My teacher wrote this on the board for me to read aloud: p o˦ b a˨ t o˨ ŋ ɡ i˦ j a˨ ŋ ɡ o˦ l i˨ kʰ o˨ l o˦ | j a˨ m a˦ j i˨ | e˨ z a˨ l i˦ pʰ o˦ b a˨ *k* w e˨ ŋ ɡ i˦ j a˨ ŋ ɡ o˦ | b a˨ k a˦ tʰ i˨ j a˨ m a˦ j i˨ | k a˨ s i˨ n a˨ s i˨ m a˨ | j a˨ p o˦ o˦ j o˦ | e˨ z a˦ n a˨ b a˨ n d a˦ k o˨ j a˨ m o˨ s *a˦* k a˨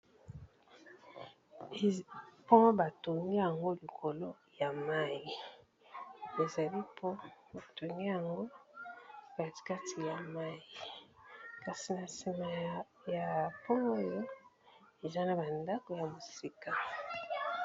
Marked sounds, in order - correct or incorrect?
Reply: incorrect, incorrect

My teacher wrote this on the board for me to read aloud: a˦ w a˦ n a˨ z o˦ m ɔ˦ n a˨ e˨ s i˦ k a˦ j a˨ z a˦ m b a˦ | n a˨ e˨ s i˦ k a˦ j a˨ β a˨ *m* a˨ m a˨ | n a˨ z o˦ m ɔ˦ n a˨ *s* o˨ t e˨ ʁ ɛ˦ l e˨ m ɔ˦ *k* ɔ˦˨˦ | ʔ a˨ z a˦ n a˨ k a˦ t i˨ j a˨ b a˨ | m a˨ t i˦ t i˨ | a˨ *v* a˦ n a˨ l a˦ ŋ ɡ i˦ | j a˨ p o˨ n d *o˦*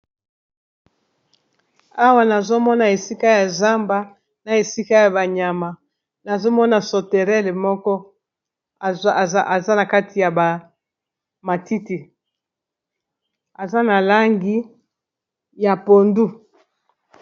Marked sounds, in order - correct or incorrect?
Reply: incorrect, correct, correct, incorrect, incorrect

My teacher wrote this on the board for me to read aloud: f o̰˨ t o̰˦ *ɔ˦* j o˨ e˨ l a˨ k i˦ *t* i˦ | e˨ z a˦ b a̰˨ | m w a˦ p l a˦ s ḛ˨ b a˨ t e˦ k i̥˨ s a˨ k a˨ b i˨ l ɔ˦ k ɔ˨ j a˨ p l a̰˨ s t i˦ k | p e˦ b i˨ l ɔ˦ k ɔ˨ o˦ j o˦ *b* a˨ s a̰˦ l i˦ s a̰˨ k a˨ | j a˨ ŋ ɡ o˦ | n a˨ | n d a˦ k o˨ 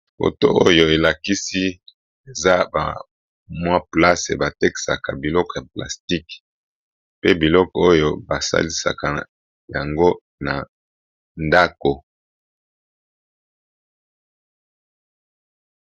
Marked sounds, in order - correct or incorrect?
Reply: incorrect, incorrect, correct

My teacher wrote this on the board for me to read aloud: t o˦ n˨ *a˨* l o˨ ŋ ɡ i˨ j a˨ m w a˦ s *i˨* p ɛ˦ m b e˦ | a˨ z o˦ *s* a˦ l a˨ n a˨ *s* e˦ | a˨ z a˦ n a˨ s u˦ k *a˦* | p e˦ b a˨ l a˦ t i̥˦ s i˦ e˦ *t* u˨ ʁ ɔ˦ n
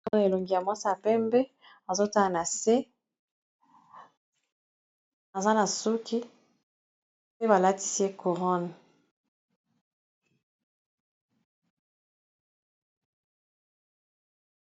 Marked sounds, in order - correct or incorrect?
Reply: incorrect, incorrect, incorrect, correct, incorrect, incorrect

